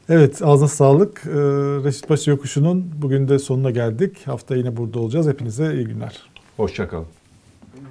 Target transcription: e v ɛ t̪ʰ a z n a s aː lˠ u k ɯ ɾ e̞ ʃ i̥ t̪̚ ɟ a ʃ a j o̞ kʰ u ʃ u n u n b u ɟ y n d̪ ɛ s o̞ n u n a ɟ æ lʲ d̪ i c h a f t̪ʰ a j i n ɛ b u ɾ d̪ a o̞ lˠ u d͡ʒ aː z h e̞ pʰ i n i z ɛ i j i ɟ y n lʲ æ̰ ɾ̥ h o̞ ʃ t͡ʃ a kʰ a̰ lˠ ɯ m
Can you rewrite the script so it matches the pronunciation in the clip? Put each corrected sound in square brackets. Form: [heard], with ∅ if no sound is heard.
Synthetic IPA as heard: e v ɛ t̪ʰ a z n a s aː lˠ [ɯ] k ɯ ɾ e̞ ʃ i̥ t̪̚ [b] a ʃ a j o̞ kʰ u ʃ u n u n b u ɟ y n d̪ ɛ s o̞ n u n a ɟ æ lʲ d̪ i c h a f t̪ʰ a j i n ɛ b u ɾ d̪ a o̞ lˠ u d͡ʒ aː z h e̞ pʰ i n i z ɛ i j i ɟ y n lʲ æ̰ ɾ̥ h o̞ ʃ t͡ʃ a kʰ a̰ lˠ ɯ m